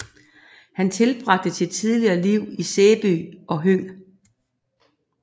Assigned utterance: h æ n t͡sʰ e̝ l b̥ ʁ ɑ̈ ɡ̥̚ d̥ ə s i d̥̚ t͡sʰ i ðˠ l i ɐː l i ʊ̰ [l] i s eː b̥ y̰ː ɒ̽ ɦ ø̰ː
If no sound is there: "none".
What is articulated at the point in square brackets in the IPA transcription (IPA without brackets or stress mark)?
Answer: none